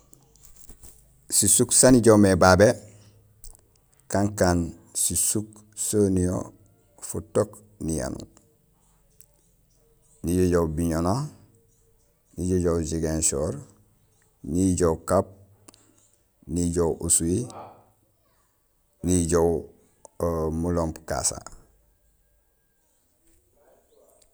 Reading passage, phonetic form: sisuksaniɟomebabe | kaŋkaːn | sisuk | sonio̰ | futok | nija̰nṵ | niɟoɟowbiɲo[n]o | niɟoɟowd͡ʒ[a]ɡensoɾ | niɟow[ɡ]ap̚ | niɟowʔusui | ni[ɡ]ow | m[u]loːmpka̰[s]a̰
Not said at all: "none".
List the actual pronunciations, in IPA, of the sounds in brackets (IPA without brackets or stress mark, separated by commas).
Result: n, i, k, ɟ, u, s